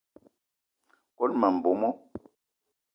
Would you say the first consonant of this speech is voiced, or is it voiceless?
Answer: voiceless